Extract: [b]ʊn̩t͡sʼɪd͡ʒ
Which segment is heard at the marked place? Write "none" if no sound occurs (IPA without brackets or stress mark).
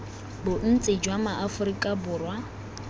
b